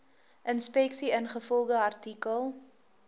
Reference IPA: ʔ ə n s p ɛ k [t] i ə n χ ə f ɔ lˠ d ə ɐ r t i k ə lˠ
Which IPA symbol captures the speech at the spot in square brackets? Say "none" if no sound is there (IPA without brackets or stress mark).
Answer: s